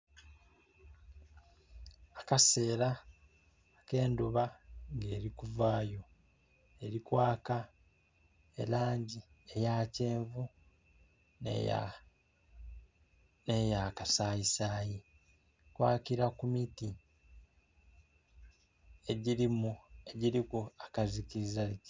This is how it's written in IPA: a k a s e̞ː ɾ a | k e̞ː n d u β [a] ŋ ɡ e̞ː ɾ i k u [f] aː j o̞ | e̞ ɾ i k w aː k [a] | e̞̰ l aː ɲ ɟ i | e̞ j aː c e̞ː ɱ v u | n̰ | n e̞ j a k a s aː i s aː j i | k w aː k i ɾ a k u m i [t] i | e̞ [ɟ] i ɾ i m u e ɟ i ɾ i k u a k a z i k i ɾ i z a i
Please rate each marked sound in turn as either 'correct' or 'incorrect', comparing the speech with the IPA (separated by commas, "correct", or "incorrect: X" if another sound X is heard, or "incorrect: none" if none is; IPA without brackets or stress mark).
correct, incorrect: v, correct, correct, correct